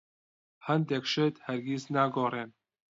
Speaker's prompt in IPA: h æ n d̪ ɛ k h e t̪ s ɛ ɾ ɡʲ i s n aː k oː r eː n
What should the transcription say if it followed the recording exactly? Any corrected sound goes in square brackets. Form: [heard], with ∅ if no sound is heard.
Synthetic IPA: h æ n d̪ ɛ k [ʃ] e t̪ [h] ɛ ɾ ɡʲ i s n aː [ɡ] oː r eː n